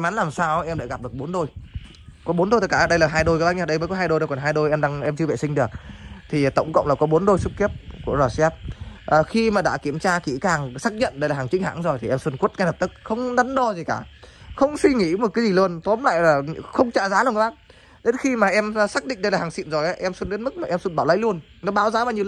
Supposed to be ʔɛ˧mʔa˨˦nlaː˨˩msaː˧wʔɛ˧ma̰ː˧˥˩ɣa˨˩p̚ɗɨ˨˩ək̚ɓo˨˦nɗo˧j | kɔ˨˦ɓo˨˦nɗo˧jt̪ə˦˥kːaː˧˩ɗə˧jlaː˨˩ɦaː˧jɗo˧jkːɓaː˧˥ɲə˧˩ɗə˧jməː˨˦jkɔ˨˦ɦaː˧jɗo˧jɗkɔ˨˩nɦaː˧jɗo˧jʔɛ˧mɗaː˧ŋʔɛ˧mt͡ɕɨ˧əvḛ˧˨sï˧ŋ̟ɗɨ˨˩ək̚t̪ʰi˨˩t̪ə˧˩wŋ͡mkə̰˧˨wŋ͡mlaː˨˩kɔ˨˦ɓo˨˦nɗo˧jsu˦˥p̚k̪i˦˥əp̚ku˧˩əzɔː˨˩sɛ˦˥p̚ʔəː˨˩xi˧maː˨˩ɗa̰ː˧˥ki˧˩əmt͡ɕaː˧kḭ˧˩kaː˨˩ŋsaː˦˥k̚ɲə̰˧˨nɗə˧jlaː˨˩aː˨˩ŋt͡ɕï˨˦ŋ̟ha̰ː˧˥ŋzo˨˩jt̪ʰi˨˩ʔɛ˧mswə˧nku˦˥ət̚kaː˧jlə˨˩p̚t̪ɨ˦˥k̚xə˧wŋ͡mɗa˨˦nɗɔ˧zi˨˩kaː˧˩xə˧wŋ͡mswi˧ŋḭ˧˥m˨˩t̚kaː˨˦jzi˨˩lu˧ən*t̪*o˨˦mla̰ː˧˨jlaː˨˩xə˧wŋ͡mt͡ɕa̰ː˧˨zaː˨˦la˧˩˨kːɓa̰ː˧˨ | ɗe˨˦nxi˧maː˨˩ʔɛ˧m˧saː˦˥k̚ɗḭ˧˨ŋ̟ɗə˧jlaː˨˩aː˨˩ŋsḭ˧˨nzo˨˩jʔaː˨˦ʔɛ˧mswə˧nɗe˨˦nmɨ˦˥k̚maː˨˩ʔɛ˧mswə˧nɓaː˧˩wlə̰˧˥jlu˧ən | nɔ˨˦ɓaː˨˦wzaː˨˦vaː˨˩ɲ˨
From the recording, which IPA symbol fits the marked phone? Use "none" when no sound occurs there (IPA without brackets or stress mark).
t̪